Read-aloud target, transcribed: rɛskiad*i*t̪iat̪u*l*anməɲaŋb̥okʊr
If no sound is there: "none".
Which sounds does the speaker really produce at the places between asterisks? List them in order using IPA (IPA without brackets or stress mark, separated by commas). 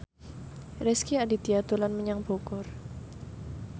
i, l